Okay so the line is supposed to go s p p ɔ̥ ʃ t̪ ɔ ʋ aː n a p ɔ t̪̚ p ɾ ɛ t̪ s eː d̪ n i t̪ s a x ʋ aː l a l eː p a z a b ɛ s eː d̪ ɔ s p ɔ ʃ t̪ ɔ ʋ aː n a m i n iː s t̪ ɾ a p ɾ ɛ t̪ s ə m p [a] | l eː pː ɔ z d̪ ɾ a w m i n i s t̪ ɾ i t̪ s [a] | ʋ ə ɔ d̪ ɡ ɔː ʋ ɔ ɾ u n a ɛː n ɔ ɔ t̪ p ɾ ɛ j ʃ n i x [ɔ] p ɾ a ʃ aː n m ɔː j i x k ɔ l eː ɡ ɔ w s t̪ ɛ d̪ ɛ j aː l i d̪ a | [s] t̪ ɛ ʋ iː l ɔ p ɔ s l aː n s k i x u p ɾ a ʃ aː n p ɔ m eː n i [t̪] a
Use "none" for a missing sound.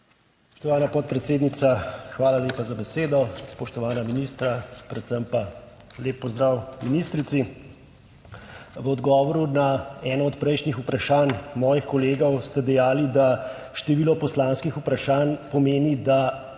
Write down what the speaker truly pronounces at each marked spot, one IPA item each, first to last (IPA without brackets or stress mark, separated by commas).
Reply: a, i, u, ʃ, d̪